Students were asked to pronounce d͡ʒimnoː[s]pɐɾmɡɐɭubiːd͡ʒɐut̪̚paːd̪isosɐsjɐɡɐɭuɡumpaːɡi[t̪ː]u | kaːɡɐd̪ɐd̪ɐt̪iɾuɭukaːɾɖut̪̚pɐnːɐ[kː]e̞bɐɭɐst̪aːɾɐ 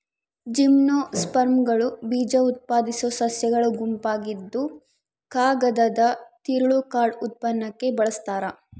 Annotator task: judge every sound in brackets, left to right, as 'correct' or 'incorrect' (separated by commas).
correct, incorrect, correct